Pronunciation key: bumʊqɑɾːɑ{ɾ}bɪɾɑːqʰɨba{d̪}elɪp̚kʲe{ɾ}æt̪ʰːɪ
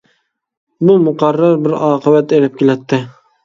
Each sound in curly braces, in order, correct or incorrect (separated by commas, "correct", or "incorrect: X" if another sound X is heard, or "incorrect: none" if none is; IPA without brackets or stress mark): correct, incorrect: t̪, incorrect: l